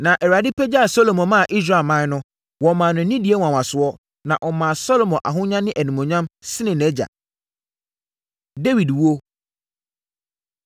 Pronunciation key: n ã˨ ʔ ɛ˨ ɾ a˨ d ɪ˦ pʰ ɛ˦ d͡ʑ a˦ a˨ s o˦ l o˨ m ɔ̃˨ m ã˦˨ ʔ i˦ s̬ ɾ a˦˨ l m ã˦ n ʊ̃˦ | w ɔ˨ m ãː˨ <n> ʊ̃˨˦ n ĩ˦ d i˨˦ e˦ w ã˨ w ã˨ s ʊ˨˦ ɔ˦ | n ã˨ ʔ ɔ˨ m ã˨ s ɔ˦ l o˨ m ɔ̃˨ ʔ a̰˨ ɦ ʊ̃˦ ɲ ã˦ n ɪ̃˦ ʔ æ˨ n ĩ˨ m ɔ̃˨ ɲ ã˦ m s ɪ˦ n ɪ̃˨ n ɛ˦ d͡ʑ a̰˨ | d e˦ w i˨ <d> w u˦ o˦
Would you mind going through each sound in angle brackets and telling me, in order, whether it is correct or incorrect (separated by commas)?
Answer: correct, correct